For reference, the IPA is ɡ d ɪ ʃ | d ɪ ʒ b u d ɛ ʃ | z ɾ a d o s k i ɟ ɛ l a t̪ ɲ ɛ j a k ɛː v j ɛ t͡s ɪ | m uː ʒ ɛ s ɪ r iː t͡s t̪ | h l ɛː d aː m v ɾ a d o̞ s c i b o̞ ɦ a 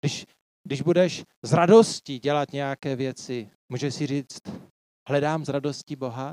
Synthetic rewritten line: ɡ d ɪ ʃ | d ɪ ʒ b u d ɛ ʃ | z ɾ a d o s c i ɟ ɛ l a t̪ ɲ ɛ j a k ɛː v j ɛ t͡s ɪ | m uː ʒ ɛ s ɪ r iː t͡s t̪ | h l ɛ d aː m z ɾ a d o̞ s c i b o̞ ɦ a